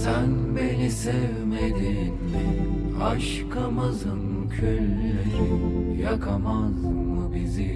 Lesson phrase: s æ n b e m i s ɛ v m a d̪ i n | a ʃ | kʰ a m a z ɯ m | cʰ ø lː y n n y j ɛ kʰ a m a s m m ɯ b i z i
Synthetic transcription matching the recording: s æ n b e n i s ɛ v m e d̪ i n | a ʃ | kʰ a m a z ɯ m | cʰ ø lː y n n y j a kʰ a m a z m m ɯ b i z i